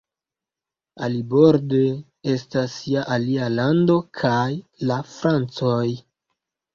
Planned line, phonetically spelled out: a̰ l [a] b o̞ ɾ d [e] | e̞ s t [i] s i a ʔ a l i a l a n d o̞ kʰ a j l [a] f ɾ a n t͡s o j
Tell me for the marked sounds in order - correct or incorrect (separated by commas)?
incorrect, correct, incorrect, correct